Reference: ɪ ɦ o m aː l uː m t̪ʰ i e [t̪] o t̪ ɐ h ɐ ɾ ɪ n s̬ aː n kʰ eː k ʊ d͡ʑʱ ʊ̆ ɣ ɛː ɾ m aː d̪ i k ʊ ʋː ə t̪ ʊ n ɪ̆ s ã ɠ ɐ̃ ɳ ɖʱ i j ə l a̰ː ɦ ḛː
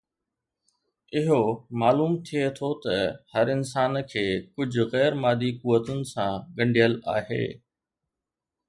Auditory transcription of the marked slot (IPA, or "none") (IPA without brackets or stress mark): t̪ʰ